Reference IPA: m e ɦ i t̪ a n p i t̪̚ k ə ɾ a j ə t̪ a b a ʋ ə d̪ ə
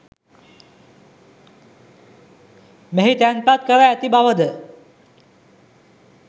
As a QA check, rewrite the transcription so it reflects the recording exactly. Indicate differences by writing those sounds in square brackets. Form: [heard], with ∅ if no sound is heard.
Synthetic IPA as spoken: m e ɦ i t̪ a n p [a] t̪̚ k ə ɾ a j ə t̪ [i] b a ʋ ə d̪ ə